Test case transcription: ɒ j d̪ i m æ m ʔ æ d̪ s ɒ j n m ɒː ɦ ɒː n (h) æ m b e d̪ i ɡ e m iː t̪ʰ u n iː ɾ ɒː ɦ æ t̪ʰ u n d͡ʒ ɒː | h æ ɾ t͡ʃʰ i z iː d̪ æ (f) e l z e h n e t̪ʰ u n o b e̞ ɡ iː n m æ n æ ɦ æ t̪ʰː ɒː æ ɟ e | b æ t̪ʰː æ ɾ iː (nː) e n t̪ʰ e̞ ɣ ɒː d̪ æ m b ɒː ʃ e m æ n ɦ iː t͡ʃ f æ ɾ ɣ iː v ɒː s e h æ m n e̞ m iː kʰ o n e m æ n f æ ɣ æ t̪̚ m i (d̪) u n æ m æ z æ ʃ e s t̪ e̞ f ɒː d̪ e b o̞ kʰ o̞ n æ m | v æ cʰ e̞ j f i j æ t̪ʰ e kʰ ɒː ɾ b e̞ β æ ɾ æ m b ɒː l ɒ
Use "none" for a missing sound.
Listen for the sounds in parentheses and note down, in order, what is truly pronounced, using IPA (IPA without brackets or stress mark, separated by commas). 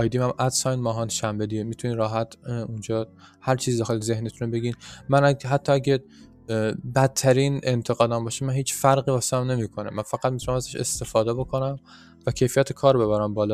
ʃ, x, n, t̪